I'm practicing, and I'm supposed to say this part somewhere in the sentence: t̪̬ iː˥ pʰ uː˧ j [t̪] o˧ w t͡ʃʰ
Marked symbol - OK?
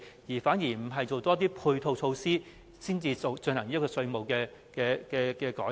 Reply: no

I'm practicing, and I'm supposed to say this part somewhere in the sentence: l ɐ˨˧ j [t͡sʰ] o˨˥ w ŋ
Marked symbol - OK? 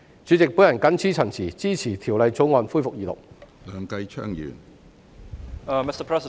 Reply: no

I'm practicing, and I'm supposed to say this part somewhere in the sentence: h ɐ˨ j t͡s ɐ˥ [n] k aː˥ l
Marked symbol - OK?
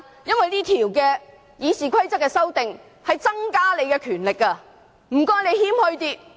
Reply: no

